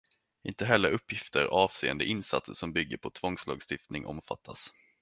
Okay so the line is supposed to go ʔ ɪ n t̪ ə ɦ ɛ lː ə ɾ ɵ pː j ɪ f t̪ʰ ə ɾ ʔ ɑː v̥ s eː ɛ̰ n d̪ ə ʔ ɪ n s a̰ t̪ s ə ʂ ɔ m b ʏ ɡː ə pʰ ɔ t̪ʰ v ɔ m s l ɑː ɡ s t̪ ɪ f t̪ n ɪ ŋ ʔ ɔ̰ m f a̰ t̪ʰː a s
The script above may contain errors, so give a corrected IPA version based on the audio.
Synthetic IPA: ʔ ɪ n t̪ ə ɦ ɛ lː ə ɾ ɵ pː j ɪ f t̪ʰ ə ɾ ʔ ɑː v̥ s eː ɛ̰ n d̪ ə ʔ ɪ n s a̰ t̪ s ə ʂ ɔ m b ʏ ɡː ə pʰ ɔ t̪ʰ v ɔ ŋ s l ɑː ɡ s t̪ ɪ f t̪ n ɪ ŋ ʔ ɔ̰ m f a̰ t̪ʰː a s